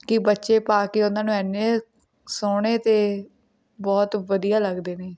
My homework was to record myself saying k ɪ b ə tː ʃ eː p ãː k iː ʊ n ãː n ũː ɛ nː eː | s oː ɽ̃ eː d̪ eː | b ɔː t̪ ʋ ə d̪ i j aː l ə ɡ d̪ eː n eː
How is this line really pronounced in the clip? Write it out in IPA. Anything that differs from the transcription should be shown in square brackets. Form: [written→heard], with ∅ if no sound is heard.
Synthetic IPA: k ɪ b ə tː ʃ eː p [ãː→aː] k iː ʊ n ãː n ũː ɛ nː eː | s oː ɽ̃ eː [d̪→t̪] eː | b ɔː t̪ ʋ ə d̪ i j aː l ə ɡ d̪ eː n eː